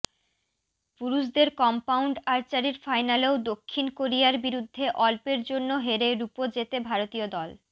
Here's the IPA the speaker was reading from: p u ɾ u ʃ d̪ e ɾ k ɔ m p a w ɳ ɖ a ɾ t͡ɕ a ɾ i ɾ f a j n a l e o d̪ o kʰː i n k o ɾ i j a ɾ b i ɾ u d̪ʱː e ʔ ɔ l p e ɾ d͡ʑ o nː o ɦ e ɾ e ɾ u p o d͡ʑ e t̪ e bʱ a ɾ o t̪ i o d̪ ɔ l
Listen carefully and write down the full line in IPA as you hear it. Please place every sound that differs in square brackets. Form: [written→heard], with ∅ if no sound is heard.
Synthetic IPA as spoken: p u ɾ u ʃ d̪ e ɾ k ɔ m p a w ɳ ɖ a ɾ t͡ɕ a ɾ i ɾ f a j n a l e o d̪ o kʰː i n k o ɾ i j a ɾ b i ɾ u d̪ʱː e ʔ ɔ l p e ɾ d͡ʑ o nː o ɦ e ɾ e ɾ u p o d͡ʑ e t̪ e bʱ a ɾ o t̪ i o d̪ ɔ l